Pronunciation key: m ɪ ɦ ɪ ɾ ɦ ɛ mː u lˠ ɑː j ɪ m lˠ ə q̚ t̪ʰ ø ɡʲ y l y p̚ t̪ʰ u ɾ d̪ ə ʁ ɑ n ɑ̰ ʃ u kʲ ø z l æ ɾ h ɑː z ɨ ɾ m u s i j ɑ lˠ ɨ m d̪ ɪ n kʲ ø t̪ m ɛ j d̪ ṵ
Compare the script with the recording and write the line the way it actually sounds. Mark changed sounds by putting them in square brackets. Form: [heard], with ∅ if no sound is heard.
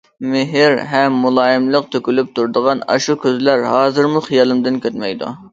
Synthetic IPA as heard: m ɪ ɦ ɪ ɾ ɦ ɛ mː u lˠ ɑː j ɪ m lˠ ə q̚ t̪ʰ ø [kʲ] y l y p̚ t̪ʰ u ɾ d̪ ə ʁ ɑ n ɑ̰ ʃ u kʲ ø z l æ ɾ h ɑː z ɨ ɾ m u [χ] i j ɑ lˠ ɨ m d̪ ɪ n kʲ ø t̪ m ɛ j d̪ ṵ